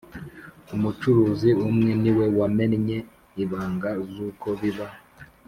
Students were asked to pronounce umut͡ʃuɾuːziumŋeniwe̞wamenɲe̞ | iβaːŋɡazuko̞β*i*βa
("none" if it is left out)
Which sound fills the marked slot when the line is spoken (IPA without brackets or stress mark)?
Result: i